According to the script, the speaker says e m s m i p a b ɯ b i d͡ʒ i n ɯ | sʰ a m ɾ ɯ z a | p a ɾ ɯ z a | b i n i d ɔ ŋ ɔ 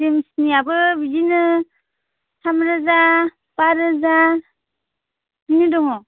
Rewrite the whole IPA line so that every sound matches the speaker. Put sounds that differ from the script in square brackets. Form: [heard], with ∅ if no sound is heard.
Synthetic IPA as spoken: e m s [n] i [∅] a b ɯ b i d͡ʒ i n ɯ | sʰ a m ɾ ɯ z a | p a ɾ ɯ z a | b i n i d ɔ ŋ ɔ

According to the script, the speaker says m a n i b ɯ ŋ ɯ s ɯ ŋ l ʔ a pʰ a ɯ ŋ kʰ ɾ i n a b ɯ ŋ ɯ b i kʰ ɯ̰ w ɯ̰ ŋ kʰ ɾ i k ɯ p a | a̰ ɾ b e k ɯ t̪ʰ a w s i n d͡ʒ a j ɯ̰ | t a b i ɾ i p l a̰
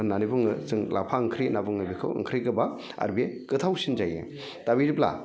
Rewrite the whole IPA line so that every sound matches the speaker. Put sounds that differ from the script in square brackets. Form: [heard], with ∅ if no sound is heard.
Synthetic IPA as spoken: [n] a n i b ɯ ŋ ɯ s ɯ ŋ l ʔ a pʰ a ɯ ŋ kʰ ɾ i n a b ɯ ŋ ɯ b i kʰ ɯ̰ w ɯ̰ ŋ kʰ ɾ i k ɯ [b] a | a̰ ɾ b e k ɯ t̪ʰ a w s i n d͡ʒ a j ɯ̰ | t a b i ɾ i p l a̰

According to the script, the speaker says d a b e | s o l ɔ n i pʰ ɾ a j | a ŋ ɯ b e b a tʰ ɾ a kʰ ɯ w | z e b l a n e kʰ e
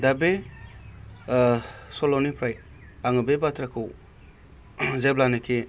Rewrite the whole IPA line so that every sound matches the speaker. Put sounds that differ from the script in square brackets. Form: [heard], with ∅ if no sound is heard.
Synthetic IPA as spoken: d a b e | s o l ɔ n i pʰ ɾ a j | a ŋ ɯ b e b a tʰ ɾ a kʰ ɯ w | z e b l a n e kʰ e

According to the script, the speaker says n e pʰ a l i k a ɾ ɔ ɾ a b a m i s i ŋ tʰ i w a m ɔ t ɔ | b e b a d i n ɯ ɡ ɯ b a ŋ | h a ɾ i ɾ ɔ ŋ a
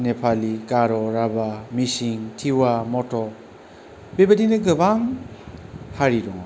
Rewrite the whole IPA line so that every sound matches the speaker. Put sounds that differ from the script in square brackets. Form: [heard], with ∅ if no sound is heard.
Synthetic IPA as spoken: n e pʰ a l i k a ɾ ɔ ɾ a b a m i s i ŋ tʰ i w a m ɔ t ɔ | b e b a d i n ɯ ɡ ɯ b a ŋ | h a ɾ i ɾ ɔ ŋ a

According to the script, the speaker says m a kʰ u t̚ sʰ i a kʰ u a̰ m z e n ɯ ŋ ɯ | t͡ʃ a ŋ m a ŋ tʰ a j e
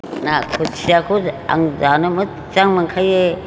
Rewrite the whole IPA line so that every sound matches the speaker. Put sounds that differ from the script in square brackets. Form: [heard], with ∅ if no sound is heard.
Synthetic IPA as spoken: [n] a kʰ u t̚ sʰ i a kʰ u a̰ [ŋ] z [a] n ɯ [m] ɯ | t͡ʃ a ŋ m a ŋ [kʰ] a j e

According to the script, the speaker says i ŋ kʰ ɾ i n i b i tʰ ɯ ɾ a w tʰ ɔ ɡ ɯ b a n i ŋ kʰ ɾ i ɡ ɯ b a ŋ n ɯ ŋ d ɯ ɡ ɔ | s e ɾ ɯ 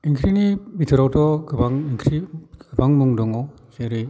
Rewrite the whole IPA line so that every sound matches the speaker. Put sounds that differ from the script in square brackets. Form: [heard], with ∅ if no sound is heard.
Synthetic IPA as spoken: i ŋ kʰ ɾ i n i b i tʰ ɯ ɾ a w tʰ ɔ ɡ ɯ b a [ŋ] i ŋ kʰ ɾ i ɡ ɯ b a ŋ [m] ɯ ŋ d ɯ [ŋ] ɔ | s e ɾ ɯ

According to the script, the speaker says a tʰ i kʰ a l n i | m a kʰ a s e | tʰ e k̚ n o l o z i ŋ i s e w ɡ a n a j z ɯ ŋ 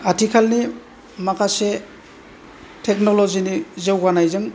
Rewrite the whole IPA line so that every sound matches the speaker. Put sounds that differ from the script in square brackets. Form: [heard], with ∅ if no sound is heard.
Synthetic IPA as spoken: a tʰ i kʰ a l n i | m a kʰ a s e | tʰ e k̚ n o l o z i [n] i [z] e w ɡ a n a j z ɯ ŋ

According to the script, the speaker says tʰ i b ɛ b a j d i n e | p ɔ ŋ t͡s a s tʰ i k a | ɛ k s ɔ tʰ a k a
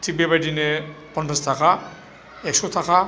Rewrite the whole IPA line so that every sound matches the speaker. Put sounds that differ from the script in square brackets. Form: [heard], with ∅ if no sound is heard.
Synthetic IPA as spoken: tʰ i b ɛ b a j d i n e | p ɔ [n] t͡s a s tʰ [a] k a | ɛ k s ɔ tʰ a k a

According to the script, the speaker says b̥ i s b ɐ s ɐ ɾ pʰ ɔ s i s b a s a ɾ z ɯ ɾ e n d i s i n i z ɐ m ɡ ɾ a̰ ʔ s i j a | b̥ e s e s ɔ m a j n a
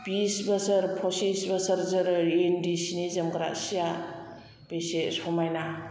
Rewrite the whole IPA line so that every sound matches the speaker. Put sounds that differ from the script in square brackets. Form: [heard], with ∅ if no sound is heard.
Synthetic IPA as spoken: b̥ i s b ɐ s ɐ ɾ pʰ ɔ s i s b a s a ɾ z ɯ ɾ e n d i s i n i z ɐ m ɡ ɾ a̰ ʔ s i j a | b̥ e s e s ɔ m a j n a

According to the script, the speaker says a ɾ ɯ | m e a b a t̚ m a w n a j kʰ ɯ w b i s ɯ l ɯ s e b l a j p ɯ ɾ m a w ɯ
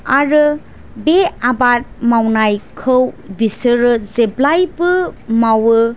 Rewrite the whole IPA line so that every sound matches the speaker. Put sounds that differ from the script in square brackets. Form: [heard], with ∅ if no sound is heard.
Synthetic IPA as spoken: a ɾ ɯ | [b] e a b a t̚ m a w n a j kʰ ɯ w b i s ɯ [ɾ] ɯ [z] e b l a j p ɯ [∅] m a w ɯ

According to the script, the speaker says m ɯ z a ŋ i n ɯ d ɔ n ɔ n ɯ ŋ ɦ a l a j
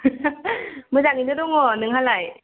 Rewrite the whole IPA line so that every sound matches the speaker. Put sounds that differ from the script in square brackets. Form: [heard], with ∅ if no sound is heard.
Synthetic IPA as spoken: m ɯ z a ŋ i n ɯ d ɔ [ŋ] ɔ n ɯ ŋ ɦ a l a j

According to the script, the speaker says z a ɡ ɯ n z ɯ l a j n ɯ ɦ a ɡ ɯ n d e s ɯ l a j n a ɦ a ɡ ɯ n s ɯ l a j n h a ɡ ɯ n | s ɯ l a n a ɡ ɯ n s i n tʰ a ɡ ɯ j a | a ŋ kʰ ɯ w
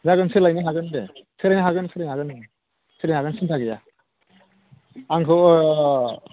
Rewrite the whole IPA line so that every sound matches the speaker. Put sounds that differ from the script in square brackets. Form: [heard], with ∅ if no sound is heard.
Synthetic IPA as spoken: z a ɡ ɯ n [s] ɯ l a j n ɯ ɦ a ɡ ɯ n d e s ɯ l a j n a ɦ a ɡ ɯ n s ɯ l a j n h a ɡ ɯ n | s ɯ l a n a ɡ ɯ n s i n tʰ a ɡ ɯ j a | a ŋ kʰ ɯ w

